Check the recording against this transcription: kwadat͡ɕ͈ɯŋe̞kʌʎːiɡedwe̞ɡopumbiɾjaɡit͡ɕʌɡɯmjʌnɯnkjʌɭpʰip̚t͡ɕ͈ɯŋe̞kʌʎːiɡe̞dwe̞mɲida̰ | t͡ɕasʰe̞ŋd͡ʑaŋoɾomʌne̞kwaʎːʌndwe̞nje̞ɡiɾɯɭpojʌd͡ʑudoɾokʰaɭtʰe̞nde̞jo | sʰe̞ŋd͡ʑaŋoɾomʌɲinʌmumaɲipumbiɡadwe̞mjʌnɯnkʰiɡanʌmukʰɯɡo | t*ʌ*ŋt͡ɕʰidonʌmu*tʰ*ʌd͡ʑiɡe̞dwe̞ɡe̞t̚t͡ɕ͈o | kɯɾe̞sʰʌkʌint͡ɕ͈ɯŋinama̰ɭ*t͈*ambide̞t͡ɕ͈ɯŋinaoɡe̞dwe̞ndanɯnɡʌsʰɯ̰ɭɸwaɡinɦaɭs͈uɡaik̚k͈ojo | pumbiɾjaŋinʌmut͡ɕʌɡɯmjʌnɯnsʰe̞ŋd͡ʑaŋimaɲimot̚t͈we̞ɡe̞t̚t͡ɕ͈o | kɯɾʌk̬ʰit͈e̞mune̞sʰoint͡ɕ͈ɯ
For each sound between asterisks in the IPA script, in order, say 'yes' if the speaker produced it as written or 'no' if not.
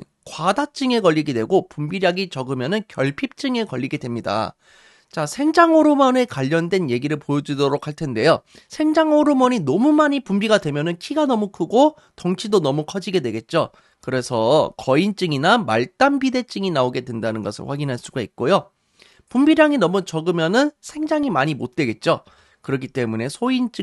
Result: yes, no, yes

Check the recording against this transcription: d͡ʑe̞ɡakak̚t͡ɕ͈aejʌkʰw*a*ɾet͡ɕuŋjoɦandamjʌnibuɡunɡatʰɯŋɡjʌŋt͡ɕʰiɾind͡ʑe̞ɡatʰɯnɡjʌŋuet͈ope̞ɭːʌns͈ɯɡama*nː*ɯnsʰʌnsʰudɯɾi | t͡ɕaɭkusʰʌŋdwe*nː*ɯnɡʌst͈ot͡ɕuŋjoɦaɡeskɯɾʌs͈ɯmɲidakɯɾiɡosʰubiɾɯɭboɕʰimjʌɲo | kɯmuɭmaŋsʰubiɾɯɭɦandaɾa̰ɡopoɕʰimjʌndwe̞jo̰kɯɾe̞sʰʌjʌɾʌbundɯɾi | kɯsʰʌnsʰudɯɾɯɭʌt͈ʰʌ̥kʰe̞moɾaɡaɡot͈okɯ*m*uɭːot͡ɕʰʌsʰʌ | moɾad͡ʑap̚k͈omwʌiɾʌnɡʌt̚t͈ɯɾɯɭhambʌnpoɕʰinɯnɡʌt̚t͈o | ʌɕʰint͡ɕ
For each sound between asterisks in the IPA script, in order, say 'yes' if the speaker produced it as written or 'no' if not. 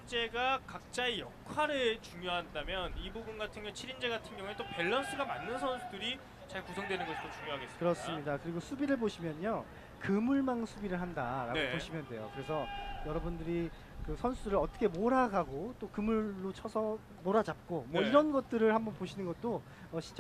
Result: yes, yes, no, yes

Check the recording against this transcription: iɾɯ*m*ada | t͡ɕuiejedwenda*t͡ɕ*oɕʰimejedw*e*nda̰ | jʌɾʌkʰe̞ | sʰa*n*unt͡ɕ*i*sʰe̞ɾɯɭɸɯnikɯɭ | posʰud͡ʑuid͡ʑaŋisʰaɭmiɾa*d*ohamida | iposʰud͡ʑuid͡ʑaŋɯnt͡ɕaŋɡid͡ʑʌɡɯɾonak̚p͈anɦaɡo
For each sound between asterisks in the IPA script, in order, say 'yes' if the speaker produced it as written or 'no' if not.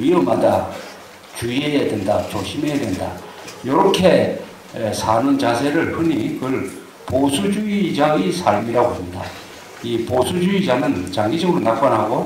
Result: yes, yes, yes, yes, no, no

